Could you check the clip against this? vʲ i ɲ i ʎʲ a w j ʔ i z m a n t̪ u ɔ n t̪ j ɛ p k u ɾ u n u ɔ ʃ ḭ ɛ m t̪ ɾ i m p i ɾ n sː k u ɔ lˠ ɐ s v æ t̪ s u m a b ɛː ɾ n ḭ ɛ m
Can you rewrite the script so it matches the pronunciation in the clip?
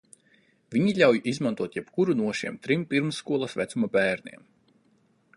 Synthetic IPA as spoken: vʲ i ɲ i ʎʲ a w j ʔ i z m a n t̪ u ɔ t̪ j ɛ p k u ɾ u n u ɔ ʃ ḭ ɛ m t̪ ɾ i m p i ɾ m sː k u ɔ lˠ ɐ s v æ t̪ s u m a b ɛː ɾ n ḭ ɛ m